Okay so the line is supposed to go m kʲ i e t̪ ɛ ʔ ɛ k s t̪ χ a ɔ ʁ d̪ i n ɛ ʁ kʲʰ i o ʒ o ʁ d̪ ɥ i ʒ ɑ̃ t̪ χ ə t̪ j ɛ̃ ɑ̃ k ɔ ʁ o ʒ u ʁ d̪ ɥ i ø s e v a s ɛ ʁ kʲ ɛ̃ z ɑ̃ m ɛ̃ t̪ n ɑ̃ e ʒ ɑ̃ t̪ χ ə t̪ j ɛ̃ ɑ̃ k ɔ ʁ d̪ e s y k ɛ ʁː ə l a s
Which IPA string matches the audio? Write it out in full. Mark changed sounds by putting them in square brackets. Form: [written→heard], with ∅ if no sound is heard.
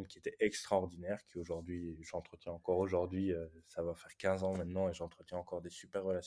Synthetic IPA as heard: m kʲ i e t̪ ɛ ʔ ɛ k s t̪ χ a ɔ ʁ d̪ i n ɛ ʁ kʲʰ i o ʒ [o→u] ʁ d̪ ɥ i ʒ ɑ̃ t̪ χ ə t̪ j ɛ̃ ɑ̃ k ɔ ʁ o ʒ u ʁ d̪ ɥ i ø s [e→a] v a [s→f] ɛ ʁ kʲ ɛ̃ z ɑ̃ m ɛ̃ t̪ n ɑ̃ e ʒ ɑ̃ t̪ χ ə t̪ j ɛ̃ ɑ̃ k ɔ ʁ d̪ e s y [k→p] ɛ ʁː ə l a s